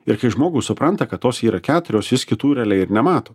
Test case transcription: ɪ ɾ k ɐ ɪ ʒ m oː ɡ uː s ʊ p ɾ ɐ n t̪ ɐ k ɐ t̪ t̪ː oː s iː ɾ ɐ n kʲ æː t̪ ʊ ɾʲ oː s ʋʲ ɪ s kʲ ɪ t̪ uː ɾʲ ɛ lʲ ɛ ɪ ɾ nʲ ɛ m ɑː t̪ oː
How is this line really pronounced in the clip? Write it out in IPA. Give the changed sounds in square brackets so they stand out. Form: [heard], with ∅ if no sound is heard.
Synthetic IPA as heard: ɪ ɾ k ɐ ɪ ʒ m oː ɡ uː s ʊ p ɾ ɐ n t̪ ɐ k ɐ t̪ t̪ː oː s iː ɾ ɐ [∅] kʲ æː t̪ ʊ ɾʲ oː s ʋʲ ɪ s kʲ ɪ t̪ uː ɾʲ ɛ lʲ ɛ ɪ ɾ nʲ ɛ m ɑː t̪ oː